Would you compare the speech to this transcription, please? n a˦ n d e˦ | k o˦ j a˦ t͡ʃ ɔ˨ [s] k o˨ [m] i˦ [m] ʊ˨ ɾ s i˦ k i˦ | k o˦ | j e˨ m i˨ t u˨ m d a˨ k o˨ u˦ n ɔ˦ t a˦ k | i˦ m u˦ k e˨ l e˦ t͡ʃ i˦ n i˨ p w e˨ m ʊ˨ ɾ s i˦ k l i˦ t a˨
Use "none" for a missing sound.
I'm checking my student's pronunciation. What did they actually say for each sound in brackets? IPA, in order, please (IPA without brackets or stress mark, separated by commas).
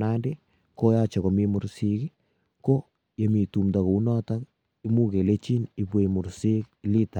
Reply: none, m, m